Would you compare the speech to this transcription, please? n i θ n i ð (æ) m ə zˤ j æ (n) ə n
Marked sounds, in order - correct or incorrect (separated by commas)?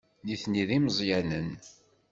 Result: incorrect, correct